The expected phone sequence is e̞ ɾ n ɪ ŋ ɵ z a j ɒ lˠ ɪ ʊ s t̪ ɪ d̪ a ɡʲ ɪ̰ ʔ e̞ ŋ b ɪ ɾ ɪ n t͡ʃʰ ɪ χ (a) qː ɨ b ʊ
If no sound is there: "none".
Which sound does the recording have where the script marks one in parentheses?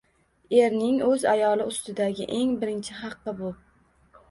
ɑ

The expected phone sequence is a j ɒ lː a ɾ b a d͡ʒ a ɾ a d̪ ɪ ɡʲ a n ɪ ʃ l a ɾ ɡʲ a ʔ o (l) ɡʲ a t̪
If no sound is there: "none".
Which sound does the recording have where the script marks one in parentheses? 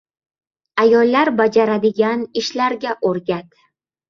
ɾ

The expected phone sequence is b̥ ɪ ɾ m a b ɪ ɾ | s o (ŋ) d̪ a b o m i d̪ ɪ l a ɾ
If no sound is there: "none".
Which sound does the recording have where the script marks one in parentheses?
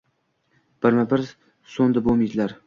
n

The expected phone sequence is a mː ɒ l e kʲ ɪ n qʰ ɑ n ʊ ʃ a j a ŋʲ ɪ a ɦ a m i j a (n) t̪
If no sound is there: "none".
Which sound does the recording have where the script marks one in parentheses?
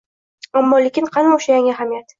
none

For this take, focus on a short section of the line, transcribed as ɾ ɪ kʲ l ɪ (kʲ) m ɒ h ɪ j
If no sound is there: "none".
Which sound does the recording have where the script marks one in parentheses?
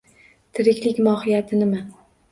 kʲ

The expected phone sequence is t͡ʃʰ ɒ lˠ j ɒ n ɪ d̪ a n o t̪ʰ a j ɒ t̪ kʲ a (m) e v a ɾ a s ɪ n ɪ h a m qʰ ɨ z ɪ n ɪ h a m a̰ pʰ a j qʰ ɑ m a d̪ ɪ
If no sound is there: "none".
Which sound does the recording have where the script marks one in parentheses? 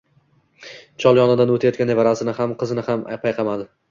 n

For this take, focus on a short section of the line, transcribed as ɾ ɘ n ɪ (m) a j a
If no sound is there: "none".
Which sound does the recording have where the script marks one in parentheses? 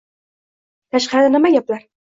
m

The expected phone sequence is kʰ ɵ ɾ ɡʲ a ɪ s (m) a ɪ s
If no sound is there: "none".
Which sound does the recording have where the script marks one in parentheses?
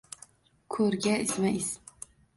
m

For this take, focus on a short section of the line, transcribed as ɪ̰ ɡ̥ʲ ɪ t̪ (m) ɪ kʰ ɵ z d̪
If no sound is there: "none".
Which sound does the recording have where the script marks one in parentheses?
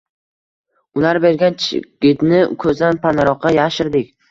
n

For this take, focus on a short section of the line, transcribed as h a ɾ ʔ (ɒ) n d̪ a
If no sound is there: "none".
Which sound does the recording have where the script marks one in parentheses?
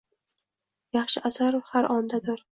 ɒ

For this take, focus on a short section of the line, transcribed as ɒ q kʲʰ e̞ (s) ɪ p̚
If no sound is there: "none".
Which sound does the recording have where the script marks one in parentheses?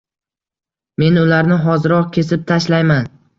s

